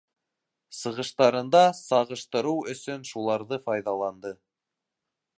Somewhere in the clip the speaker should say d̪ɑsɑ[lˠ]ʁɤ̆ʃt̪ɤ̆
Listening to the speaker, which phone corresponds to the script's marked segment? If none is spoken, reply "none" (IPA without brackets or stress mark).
none